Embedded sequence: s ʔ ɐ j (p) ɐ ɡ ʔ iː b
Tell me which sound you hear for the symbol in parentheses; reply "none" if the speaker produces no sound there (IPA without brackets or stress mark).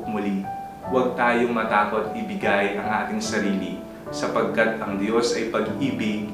p